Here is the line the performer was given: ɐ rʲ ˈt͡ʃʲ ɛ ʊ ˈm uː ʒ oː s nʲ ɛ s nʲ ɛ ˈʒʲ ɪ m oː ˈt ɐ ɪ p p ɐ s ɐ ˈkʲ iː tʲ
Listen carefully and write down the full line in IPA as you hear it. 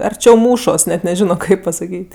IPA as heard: ɐ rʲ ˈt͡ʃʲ ɛ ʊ ˈm uː ʃ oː s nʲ ɛ t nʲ ɛ ˈʒʲ ɪ n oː ˈk ɐ ɪ p p ɐ s ɐ ˈkʲ iː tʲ